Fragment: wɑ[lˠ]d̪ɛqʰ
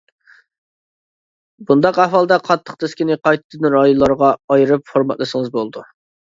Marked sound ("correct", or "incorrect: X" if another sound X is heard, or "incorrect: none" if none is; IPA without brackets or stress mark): correct